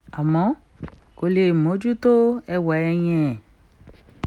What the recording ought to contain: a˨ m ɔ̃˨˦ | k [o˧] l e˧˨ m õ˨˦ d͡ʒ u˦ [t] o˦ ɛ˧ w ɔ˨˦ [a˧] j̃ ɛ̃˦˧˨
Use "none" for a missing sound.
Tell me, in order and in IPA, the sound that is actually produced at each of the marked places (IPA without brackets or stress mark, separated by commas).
o˧, t, ɛ˧